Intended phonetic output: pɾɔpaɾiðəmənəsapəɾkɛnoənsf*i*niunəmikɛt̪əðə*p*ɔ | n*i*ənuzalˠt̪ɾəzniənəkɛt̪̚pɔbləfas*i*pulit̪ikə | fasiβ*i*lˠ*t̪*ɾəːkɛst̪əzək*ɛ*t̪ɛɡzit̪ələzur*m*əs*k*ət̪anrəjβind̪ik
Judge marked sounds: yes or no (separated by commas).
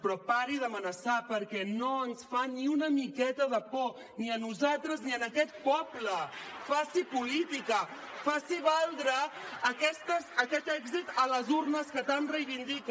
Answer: no, yes, yes, yes, no, no, yes, no, yes